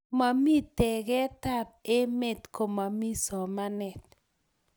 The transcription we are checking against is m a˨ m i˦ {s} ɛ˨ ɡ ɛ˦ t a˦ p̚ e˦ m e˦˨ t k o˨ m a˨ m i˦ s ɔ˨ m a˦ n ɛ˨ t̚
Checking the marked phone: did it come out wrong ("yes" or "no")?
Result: yes